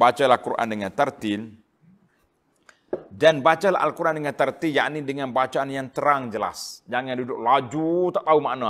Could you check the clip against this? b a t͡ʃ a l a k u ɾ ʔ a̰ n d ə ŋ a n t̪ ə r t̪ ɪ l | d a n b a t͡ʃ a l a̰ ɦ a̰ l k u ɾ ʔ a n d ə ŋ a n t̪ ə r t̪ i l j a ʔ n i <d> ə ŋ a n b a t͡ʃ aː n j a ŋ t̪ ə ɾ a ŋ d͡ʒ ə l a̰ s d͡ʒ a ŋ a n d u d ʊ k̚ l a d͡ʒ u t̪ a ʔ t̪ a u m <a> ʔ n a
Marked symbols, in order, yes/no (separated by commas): yes, yes